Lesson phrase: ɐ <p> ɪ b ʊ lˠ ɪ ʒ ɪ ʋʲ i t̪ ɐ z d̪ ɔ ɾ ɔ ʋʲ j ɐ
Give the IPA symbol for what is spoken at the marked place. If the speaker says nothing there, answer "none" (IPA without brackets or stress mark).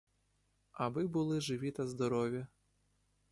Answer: b